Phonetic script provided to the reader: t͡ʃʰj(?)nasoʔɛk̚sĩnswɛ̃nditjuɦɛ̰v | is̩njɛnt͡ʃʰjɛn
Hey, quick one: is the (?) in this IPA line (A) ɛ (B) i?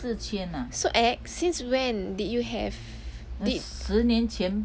A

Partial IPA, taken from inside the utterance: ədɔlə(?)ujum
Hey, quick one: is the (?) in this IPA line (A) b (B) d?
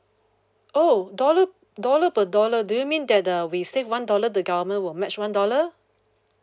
B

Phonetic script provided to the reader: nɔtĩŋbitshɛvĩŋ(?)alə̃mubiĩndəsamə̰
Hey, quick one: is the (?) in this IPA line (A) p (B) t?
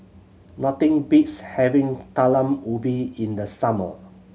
B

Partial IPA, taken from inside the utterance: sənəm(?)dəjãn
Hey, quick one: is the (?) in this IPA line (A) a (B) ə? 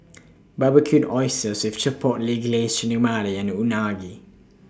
A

